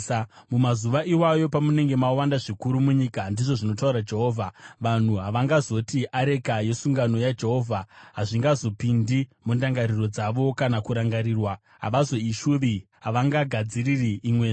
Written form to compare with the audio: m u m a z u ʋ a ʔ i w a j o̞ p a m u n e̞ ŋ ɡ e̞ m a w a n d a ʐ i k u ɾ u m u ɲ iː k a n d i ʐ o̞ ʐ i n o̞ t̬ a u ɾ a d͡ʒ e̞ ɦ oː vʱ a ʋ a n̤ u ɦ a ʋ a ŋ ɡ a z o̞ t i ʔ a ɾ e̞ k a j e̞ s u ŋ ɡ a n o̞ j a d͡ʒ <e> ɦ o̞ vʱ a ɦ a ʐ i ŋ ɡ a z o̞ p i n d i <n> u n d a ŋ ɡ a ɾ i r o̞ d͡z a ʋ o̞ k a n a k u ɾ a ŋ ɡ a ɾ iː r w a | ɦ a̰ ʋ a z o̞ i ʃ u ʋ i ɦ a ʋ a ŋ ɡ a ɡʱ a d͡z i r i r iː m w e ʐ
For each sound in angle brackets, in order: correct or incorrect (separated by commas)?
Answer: correct, incorrect